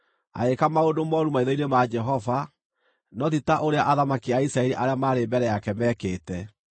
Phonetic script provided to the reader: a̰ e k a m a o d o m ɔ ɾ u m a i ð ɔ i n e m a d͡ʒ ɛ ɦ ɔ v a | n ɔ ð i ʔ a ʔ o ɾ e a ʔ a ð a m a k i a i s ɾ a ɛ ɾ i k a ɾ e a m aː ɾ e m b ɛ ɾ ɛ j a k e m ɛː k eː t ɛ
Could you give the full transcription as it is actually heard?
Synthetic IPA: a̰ e k a m a o d o m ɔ ɾ u m a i ð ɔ i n e m a d͡ʒ ɛ ɦ ɔ v a | n ɔ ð i t a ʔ o ɾ e a ʔ a ð a m a k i a i s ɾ a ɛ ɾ i ʔ a ɾ e a m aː ɾ e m b ɛ ɾ ɛ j a k ɛ m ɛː k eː t ɛ